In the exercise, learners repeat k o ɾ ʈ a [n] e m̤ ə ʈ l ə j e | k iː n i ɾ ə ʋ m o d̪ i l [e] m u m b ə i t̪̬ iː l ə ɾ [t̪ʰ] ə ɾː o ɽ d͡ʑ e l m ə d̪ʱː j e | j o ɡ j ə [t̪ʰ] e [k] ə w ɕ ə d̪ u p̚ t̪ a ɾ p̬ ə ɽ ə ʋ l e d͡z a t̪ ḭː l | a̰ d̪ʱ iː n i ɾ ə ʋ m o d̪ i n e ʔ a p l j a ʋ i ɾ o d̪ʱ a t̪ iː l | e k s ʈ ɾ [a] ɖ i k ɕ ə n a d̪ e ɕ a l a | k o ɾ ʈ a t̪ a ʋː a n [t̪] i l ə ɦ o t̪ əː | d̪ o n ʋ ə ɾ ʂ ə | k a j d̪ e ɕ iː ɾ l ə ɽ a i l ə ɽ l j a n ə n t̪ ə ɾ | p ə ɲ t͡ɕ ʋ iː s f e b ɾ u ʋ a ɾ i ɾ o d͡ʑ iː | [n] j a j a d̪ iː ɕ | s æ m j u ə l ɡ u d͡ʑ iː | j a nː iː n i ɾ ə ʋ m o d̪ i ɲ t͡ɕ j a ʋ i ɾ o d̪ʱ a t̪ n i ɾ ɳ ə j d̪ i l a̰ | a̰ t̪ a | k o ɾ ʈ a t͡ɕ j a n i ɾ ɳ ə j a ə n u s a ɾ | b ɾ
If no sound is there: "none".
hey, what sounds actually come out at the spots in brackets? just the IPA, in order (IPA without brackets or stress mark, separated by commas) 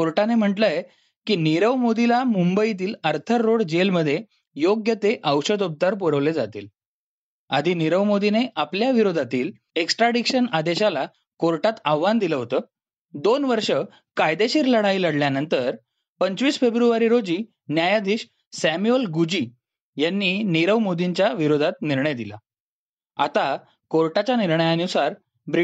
n, a, t̪ʰ, t̪, ʔ, a, d̪, n